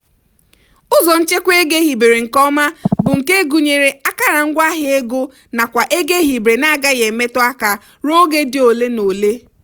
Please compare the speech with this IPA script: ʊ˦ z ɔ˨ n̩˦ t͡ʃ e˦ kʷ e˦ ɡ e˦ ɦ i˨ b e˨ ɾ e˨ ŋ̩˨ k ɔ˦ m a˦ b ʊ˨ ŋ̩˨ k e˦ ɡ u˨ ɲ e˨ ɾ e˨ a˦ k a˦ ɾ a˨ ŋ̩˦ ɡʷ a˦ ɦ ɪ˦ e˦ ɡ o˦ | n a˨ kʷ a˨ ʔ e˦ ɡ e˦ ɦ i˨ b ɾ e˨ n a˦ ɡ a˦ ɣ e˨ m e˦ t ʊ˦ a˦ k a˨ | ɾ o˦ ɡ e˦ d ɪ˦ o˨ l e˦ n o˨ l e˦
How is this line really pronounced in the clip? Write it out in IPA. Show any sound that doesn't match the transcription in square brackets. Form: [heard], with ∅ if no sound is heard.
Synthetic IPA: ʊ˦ z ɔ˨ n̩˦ t͡ʃ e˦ kʷ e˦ ɡ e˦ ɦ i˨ b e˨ ɾ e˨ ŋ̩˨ k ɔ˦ m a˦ b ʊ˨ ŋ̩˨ k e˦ ɡ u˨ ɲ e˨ ɾ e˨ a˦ k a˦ ɾ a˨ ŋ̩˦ ɡʷ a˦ ɦ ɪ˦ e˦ ɡ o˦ | n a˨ kʷ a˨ ʔ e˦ ɡ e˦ ɦ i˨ b ɾ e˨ n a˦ ɡ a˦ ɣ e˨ m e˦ t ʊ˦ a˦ k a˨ | ɾ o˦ ɡ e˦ d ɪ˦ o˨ l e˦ n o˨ l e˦